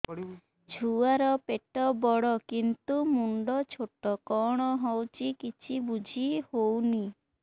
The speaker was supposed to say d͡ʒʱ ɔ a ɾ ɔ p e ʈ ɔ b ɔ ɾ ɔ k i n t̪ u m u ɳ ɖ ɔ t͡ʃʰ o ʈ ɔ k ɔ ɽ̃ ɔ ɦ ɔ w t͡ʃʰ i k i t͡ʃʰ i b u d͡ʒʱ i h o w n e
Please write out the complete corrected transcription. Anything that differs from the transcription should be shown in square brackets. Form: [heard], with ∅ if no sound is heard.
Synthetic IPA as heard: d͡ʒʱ [u] a ɾ ɔ p e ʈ ɔ b ɔ [ɽ] ɔ k i n t̪ u m u ɳ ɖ ɔ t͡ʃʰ o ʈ ɔ k ɔ ɽ̃ ɔ ɦ ɔ w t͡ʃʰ i k i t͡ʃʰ i b u d͡ʒʱ i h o w n [i]

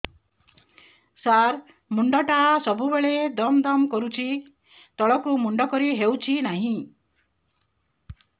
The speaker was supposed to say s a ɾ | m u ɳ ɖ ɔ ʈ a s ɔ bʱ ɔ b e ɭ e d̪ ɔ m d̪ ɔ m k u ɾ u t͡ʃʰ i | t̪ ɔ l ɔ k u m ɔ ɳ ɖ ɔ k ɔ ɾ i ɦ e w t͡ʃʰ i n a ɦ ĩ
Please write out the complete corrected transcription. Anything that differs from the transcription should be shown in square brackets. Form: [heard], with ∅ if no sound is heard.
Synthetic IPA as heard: s a ɾ | m u ɳ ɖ ɔ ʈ a s ɔ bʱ [u] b e ɭ e d̪ ɔ m d̪ ɔ m k [ɔ] ɾ u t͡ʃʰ i | t̪ ɔ [ɭ] ɔ k u m [u] ɳ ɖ ɔ k ɔ ɾ i ɦ e w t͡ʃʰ i n a ɦ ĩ

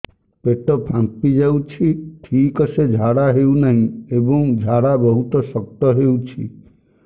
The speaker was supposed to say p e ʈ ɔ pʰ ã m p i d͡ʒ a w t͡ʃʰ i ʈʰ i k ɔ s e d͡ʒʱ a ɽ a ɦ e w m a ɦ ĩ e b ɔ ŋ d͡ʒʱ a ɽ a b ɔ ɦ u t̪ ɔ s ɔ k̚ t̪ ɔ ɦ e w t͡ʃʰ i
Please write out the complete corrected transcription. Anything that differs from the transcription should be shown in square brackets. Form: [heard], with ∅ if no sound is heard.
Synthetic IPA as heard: p e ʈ ɔ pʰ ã m p i d͡ʒ a w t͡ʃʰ i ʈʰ i k ɔ s e d͡ʒʱ a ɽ a ɦ e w [n] a ɦ ĩ e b ɔ ŋ d͡ʒʱ a ɽ a b ɔ ɦ u t̪ ɔ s ɔ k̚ t̪ ɔ ɦ e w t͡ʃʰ i

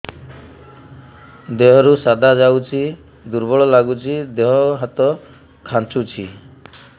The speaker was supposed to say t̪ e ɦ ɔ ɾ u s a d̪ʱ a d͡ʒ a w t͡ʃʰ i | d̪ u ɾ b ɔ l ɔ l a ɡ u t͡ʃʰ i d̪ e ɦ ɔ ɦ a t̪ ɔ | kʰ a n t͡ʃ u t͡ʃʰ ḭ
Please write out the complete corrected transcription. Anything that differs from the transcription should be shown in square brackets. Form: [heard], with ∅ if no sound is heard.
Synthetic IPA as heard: [d̪] e ɦ ɔ ɾ u s a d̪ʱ a d͡ʒ a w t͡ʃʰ i | d̪ u ɾ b ɔ [ɭ] ɔ l a ɡ u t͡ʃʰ i d̪ e ɦ ɔ ɦ a t̪ ɔ | kʰ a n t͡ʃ u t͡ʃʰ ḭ

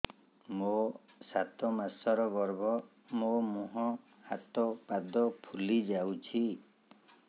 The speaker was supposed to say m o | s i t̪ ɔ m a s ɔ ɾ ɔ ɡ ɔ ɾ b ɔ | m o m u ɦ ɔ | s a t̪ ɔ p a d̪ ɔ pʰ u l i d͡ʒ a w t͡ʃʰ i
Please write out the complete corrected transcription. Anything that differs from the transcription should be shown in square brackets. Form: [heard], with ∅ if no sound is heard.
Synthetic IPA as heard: m o | s [a] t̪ ɔ m a s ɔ ɾ ɔ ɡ ɔ ɾ b ɔ | m o m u ɦ ɔ | [h] a t̪ ɔ p a d̪ ɔ pʰ u l i d͡ʒ a w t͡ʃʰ i

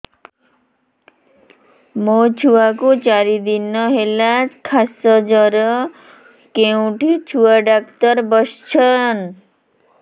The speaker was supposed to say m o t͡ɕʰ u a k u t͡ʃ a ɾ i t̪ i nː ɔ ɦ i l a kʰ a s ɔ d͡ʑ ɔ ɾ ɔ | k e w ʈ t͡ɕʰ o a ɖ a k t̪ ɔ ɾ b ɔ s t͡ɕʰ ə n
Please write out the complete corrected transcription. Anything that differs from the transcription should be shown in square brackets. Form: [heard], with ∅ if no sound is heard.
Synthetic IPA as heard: m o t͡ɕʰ u a k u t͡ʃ a ɾ i [d̪] i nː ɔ ɦ [e] l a kʰ a s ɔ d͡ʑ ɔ ɾ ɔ | k e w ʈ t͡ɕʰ [u] a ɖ a k t̪ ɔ ɾ b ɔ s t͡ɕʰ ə n

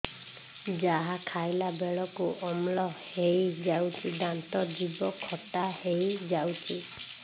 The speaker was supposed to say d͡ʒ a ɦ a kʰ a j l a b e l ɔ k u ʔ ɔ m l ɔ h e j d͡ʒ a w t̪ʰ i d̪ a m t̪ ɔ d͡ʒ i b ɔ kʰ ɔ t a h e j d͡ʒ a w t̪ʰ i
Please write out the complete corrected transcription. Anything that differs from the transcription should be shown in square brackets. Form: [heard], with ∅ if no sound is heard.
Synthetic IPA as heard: d͡ʒ a ɦ a kʰ a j l a b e [ɭ] ɔ k u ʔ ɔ m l ɔ h e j d͡ʒ a w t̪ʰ i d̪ a [n] t̪ ɔ d͡ʒ i b ɔ kʰ ɔ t a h e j d͡ʒ a w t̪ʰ i

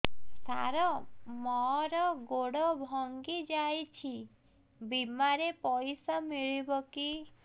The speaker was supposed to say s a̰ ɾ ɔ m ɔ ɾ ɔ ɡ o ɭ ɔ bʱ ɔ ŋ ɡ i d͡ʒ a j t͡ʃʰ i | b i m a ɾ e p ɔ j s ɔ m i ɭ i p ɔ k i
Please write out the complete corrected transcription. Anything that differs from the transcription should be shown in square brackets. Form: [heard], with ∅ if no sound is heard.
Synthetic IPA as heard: s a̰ ɾ ɔ m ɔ ɾ ɔ ɡ o [ɽ] ɔ bʱ ɔ ŋ ɡ i d͡ʒ a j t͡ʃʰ i | b i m a ɾ e p ɔ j s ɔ m i ɭ i [b] ɔ k i

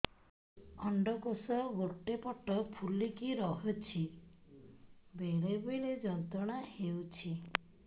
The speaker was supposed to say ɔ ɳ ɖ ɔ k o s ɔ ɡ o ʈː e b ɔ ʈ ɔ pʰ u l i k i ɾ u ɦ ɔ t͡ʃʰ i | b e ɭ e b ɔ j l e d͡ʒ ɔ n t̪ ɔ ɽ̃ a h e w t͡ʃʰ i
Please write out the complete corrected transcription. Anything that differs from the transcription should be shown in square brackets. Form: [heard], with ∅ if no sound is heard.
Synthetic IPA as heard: ɔ ɳ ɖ ɔ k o s ɔ ɡ o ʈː e [p] ɔ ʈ ɔ pʰ u l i k i ɾ [ɔ] ɦ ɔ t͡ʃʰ i | b e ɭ e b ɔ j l e d͡ʒ ɔ n t̪ ɔ ɽ̃ a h e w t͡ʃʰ i

